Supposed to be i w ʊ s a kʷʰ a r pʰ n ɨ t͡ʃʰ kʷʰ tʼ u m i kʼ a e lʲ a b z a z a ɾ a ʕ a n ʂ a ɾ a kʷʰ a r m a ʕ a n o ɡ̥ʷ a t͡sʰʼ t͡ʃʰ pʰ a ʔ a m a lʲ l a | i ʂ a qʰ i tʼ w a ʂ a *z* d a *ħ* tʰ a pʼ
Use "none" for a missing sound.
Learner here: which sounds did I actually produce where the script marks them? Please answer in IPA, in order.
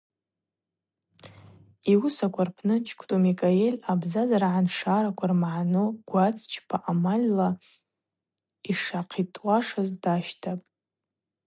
z, ʃ

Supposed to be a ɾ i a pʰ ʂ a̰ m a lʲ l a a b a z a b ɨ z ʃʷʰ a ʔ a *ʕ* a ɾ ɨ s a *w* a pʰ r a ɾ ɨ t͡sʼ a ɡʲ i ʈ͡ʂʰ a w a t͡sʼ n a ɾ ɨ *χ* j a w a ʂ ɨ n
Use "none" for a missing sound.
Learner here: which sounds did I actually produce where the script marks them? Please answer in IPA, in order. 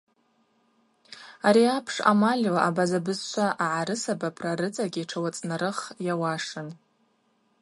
ʕ, b, χ

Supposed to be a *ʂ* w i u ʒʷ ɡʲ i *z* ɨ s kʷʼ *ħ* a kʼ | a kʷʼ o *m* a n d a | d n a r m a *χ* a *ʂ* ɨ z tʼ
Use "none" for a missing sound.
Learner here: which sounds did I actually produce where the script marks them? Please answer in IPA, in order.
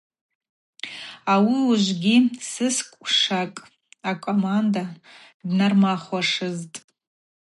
none, s, ʂ, m, χ, ʂ

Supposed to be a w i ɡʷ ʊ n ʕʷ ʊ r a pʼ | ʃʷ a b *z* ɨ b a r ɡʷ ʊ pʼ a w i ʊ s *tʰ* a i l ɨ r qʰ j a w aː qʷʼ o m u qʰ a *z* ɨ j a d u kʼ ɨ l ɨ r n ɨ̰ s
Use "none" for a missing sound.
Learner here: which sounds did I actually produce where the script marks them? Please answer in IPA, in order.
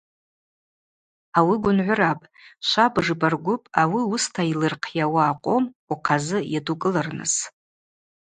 ʐ, tʰ, z

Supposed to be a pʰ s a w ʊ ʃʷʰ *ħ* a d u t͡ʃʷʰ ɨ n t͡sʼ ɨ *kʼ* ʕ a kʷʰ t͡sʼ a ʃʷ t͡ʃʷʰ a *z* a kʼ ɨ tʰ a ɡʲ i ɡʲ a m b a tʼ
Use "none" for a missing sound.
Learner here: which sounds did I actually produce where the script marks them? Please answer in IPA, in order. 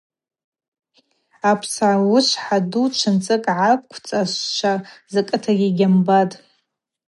ħ, kʼ, z

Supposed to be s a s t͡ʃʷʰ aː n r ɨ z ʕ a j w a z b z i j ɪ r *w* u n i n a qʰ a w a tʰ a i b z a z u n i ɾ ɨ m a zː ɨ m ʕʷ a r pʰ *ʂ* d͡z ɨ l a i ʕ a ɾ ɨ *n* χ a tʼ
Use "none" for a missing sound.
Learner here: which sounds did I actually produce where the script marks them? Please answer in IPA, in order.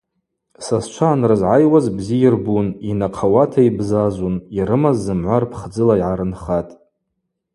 b, χ, n

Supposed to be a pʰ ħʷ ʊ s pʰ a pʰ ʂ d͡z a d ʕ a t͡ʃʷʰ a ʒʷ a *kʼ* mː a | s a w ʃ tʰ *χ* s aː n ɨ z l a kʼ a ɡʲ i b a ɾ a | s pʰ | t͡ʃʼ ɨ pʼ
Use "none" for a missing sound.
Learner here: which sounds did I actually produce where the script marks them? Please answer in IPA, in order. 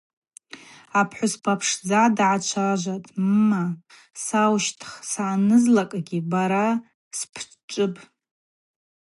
tʼ, χ

